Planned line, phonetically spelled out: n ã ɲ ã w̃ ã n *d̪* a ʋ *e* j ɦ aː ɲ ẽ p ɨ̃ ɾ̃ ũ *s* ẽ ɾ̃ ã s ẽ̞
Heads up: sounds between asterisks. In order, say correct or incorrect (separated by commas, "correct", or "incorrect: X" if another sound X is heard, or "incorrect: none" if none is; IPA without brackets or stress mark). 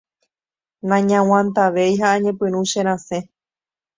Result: incorrect: t̪, correct, incorrect: ʃ